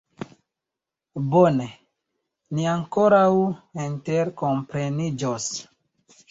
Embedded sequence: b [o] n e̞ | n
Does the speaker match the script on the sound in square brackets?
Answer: yes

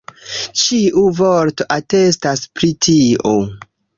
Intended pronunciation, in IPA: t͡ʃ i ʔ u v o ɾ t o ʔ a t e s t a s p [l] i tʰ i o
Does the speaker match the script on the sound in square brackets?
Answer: no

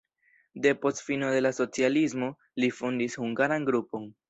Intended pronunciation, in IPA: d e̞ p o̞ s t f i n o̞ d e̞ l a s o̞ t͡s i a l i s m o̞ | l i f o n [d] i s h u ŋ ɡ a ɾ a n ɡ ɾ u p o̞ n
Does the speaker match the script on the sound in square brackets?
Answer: yes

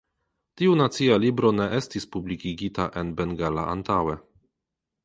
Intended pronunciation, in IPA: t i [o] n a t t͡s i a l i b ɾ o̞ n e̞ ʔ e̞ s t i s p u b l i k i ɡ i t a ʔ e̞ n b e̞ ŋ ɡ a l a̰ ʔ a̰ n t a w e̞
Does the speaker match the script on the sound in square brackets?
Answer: no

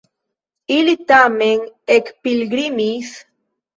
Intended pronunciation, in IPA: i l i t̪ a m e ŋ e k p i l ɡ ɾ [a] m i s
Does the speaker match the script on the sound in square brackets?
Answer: no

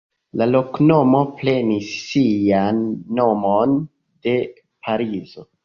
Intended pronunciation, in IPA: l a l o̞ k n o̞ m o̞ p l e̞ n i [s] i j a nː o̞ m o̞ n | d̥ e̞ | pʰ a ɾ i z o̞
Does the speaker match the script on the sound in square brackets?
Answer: no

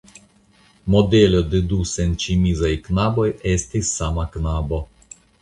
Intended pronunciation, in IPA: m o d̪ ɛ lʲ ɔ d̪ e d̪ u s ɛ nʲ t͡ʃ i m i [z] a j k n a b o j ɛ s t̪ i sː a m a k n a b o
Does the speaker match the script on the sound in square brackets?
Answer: yes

